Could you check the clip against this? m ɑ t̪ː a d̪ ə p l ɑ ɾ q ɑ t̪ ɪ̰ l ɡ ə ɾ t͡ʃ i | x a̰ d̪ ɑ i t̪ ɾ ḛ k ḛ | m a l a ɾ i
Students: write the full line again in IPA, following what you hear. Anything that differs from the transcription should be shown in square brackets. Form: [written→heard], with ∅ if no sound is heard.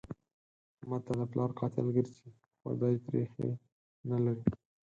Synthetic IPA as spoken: m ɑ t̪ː a d̪ ə p l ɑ ɾ q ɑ t̪ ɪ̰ l ɡ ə ɾ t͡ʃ i | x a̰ d̪ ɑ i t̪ ɾ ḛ [k→x] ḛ | [m→n] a l a ɾ i